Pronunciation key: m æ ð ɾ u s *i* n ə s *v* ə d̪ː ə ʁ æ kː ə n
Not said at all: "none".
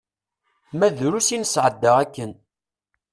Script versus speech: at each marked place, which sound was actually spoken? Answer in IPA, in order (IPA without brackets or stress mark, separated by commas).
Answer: i, ʕ